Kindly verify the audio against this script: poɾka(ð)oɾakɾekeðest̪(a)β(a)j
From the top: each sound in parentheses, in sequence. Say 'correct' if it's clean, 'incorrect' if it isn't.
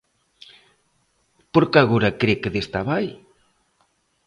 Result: incorrect, correct, correct

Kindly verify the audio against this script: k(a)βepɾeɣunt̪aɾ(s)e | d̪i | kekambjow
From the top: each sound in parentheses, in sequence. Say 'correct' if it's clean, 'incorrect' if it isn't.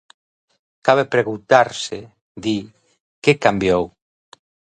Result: correct, correct

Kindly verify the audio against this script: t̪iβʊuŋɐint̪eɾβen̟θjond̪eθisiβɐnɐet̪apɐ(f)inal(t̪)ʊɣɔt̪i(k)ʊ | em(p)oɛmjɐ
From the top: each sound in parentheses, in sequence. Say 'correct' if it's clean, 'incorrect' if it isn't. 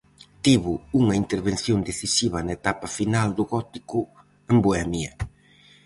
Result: correct, incorrect, correct, incorrect

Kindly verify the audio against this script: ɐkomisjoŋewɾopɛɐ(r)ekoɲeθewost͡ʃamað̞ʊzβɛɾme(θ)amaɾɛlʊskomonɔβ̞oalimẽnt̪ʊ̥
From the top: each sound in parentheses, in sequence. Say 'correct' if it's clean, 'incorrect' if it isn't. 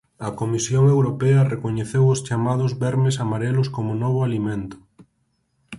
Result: correct, incorrect

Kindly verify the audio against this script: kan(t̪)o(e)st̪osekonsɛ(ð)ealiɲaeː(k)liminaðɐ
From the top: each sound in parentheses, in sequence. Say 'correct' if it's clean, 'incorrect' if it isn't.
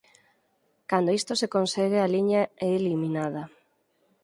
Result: incorrect, incorrect, incorrect, incorrect

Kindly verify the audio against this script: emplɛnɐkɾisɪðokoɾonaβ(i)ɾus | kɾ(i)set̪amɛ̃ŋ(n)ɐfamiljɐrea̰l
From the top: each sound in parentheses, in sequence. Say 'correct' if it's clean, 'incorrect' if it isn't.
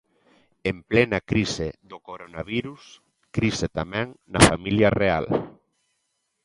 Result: correct, correct, correct

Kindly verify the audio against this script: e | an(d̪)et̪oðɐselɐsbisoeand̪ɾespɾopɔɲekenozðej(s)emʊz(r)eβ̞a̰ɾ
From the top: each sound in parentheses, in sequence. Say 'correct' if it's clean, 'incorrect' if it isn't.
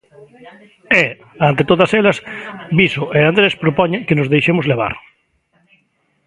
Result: incorrect, incorrect, incorrect

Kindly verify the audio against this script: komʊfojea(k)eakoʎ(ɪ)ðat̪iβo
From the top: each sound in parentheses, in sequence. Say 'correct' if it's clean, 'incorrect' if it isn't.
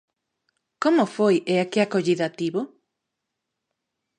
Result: correct, incorrect

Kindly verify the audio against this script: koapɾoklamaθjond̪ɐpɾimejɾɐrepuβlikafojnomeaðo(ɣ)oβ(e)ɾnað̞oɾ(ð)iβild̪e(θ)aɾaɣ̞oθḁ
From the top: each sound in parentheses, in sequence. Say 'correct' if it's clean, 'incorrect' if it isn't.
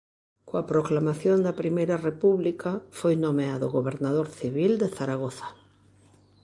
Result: correct, correct, incorrect, correct

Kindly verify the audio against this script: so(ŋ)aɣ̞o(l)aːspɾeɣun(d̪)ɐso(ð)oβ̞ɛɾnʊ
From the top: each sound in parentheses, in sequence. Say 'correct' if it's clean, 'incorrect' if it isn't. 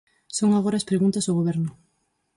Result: correct, incorrect, incorrect, incorrect

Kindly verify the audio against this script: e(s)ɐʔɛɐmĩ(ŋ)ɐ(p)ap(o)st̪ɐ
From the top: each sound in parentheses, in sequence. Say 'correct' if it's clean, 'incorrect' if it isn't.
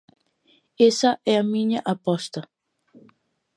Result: correct, incorrect, incorrect, incorrect

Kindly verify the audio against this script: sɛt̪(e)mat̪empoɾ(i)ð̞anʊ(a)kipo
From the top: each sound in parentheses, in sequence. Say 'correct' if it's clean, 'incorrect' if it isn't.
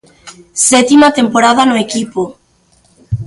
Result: incorrect, incorrect, incorrect

